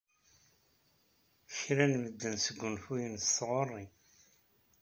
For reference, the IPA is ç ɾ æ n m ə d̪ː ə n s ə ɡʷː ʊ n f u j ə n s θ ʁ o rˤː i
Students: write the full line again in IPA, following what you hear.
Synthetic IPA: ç ɾ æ n m ə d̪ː ə n s ə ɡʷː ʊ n f u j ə n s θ ʁ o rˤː i